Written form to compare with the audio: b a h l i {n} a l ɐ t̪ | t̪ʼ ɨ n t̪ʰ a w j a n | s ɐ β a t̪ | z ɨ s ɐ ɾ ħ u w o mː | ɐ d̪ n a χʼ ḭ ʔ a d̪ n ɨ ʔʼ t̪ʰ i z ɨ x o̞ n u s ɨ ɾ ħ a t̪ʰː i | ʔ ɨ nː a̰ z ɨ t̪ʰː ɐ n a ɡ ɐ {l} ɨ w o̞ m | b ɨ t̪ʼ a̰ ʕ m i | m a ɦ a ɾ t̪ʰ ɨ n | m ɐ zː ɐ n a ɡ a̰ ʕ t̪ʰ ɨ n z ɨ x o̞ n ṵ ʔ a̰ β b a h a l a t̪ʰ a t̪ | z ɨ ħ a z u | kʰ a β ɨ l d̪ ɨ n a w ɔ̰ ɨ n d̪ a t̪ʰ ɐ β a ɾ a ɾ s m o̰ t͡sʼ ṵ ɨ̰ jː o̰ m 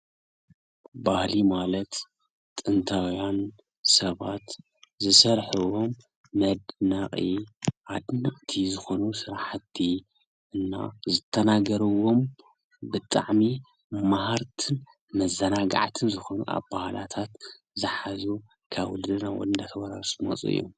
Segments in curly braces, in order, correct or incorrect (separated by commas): incorrect, incorrect